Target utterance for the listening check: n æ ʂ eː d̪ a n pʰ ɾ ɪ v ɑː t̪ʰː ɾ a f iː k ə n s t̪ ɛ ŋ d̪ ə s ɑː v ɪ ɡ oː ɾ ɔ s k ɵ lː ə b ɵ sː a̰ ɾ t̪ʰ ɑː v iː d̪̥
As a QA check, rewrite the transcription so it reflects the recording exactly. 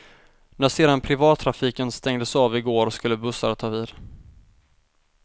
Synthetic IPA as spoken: n æ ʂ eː d̪ a n pʰ ɾ ɪ v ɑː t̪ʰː ɾ a f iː k ə n s t̪ ɛ ŋ d̪ ə s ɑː v ɪ ɡ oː ɾ ɔ s k ɵ lː ə b ɵ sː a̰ ɾ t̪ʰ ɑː v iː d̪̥

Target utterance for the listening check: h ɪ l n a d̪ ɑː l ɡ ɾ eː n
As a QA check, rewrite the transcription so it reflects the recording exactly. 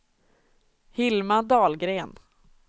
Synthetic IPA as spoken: h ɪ l m a d̪ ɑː l ɡ ɾ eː n

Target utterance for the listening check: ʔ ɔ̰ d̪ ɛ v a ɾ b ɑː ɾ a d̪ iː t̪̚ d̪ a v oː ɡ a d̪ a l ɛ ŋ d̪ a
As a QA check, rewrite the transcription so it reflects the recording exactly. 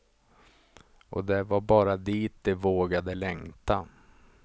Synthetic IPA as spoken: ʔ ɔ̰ d̪ ɛ v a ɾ b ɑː ɾ a d̪ iː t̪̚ d̪ ɛ v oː ɡ a d̪ ə l ɛ ŋ t̪ a

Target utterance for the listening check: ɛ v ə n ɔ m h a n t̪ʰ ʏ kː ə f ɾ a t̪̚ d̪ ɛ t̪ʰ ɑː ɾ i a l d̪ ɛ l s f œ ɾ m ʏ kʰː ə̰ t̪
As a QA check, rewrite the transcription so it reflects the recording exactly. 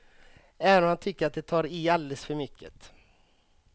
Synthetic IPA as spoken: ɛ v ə n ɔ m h a n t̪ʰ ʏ kː ə ɾ a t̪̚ d̪ ɛ t̪ʰ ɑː ɾ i a l d̪ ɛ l s f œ ɾ m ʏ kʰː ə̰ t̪

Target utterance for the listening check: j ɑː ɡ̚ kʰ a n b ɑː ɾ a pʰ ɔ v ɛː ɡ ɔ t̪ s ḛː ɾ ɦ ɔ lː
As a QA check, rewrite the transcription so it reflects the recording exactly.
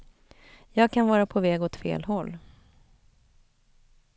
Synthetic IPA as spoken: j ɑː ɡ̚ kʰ a n v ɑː ɾ a pʰ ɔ v ɛː ɡ ɔ t̪ f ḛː l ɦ ɔ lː

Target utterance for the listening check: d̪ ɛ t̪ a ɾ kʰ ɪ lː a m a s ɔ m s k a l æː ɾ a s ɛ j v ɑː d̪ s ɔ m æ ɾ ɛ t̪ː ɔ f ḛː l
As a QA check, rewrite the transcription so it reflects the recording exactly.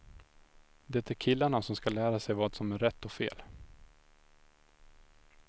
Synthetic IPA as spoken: d̪ ɛ t̪ æ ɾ kʰ ɪ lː a ɳ a s ɔ m s k a l æː ɾ a s ɛ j v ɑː d̪ s ɔ m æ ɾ ɛ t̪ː ɔ f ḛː l

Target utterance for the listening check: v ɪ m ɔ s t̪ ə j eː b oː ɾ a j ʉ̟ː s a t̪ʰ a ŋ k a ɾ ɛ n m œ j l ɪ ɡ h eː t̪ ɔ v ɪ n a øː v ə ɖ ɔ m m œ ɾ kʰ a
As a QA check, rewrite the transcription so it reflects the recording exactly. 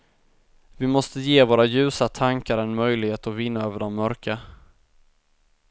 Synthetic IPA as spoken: v ɪ m ɔ s t̪ ə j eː v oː ɾ a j ʉ̟ː s a t̪ʰ a ŋ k a ɾ ɛ n m œ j l ɪ ɡ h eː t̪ ɔ v ɪ nː a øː v ə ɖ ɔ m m œ ɾ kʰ a

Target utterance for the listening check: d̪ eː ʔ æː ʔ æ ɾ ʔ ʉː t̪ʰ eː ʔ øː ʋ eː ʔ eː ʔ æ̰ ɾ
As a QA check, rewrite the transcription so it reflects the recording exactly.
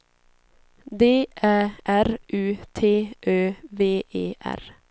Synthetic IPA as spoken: d̪ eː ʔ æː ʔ æ ɾ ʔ ʉː t̪ʰ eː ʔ øː ʋ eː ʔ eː ʔ æ̰ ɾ

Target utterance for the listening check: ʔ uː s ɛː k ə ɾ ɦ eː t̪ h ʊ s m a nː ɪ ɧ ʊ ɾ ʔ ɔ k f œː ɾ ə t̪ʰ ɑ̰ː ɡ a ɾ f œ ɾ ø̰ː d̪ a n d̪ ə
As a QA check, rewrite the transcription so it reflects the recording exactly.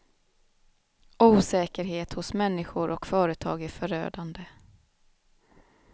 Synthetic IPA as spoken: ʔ uː s ɛː k ə ɾ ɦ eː t̪ h ʊ s m ɛ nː ɪ ɧ ʊ ɾ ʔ ɔ k f œː ɾ ə t̪ʰ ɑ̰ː ɡ æ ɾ f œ ɾ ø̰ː d̪ a n d̪ ə

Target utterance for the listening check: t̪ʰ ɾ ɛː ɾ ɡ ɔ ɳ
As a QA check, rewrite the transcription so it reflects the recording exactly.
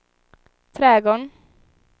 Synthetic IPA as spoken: t̪ʰ ɾ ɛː ɡ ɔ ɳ

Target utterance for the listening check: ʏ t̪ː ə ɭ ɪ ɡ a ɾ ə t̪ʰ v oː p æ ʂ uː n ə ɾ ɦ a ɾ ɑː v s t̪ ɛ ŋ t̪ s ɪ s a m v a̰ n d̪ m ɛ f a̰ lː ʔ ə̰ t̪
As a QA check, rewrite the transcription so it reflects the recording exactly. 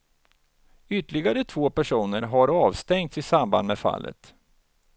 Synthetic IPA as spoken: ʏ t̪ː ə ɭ ɪ ɡ a ɾ ə t̪ʰ v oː p æ ʂ uː n ə ɾ ɦ a ɾ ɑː v s t̪ ɛ ŋ t̪ s ɪ s a m b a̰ n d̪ m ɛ f a̰ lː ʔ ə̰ t̪

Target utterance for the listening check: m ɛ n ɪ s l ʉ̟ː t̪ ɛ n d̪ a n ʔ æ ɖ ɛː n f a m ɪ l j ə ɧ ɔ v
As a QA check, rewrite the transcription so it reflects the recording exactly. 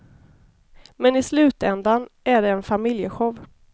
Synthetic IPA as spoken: m ɛ n ɪ s l ʉ̟ː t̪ ɛ n d̪ a n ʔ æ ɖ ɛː n f a m ɪ l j ə ɧ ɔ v

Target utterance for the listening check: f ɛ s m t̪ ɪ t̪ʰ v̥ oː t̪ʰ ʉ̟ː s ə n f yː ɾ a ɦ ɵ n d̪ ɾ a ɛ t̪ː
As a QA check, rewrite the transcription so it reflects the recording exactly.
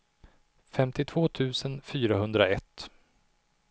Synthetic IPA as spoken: f ɛ m t̪ ɪ t̪ʰ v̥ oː t̪ʰ ʉ̟ː s ə n f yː ɾ a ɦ ɵ n d̪ ɾ a ɛ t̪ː

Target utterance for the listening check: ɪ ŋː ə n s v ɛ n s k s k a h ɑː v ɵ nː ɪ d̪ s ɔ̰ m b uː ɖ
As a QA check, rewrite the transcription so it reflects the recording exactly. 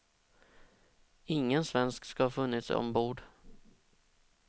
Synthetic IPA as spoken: ɪ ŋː ə n s v ɛ n s k s k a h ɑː f ɵ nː ɪ t̪ s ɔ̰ m b uː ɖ

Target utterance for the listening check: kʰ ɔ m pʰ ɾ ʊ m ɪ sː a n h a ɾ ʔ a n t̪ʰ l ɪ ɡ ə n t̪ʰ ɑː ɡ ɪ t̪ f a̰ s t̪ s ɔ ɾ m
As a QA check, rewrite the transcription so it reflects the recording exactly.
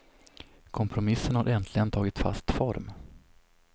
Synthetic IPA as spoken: kʰ ɔ m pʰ ɾ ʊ m ɪ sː ə n h a ɾ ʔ ɛ n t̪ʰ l ɪ ɡ ə n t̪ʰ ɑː ɡ ɪ t̪ f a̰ s t̪ f ɔ ɾ m

